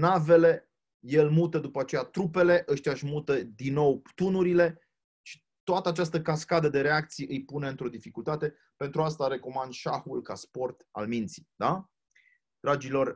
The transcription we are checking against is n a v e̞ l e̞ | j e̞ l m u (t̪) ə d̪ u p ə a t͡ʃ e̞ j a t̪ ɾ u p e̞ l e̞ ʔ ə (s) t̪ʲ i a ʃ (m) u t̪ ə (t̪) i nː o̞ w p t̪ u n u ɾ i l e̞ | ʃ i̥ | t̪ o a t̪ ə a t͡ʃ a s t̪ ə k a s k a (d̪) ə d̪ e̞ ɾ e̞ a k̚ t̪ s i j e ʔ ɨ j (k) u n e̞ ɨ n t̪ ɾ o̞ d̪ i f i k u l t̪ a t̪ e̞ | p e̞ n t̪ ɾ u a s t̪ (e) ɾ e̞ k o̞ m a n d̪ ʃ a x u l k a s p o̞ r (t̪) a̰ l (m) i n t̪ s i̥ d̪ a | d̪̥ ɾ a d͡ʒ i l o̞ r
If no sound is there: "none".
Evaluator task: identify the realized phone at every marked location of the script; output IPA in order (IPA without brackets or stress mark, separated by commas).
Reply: t̪, ʃ, m, d̪, d̪, p, a, t̪, m